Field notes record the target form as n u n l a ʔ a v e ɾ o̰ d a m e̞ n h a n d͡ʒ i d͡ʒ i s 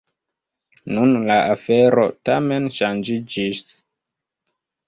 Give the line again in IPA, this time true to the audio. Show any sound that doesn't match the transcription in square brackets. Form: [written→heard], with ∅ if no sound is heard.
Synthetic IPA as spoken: n u n l a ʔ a [v→f] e ɾ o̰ [d→t] a m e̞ n [h→ʃ] a n d͡ʒ i d͡ʒ i s

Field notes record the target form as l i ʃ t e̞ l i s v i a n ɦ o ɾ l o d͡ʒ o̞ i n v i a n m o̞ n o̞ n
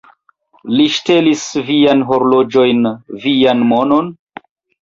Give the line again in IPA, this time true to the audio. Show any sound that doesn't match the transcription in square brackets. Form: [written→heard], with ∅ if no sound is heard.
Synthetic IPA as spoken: l i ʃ t e̞ l i s v i a n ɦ o ɾ l o d͡ʒ o̞ [i→j] n v i a n m o̞ n o̞ n

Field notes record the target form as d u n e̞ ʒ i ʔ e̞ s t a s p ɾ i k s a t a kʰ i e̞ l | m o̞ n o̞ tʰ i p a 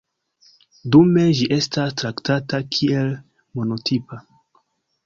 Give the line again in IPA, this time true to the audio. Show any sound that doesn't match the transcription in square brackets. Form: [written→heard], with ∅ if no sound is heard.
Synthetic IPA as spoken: d u [n→m] e̞ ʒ i ʔ e̞ s t a s [p→t] ɾ [i→a] k [s→t] a t a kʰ i e̞ l | m o̞ n o̞ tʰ i p a

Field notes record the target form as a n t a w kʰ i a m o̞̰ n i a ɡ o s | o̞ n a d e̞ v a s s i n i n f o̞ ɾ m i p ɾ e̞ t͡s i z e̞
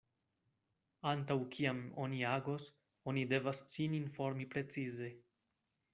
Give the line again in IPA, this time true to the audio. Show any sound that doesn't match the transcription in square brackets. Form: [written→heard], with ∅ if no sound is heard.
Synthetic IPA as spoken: a n t a w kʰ i a m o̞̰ n i a ɡ o s | o̞ n [a→i] d e̞ v a s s i n i n f o̞ ɾ m i p ɾ e̞ t͡s i z e̞

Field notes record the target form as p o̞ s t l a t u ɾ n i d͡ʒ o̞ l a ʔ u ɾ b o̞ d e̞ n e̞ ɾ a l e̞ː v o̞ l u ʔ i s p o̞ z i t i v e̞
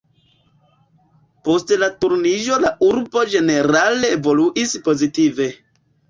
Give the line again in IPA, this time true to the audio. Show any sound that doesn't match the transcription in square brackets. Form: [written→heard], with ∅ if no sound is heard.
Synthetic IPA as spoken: p o̞ s t l a t u ɾ n i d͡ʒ o̞ l a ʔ u ɾ b o̞ [d→d͡ʒ] e̞ n e̞ ɾ a l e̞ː v o̞ l u ʔ i s p o̞ z i t i v e̞

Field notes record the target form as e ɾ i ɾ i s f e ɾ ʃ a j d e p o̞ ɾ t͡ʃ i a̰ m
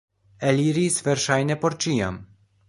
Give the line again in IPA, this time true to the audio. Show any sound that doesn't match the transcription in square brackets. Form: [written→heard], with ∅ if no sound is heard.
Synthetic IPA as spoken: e [ɾ→l] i ɾ i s [f→v] e ɾ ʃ a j [d→n] e p o̞ ɾ t͡ʃ i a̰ m

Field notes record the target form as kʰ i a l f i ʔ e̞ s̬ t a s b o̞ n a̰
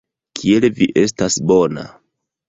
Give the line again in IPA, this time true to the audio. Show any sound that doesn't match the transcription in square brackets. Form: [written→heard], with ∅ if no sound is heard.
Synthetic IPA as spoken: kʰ i [a→e] l [f→v] i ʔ e̞ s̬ t a s b o̞ n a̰

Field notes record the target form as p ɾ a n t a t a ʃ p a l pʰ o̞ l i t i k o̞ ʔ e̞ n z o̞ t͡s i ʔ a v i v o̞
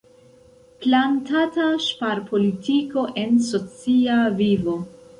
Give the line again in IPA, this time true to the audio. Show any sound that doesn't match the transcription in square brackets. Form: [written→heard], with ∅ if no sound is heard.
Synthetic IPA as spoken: p [ɾ→l] a n t a t a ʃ p a [l→ɾ] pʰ o̞ l i t i k o̞ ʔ e̞ n [z→s] o̞ t͡s i [ʔ→∅] a v i v o̞

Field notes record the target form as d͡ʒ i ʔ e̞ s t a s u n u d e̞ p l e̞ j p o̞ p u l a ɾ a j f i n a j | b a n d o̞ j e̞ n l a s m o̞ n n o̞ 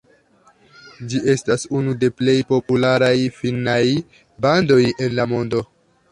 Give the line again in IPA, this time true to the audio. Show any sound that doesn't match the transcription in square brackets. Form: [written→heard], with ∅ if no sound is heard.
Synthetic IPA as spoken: d͡ʒ i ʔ e̞ s t a s u n u d e̞ p l e̞ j p o̞ p u l a ɾ a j f i n a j | b a n d o̞ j e̞ n l a [s→∅] m o̞ n [n→d] o̞

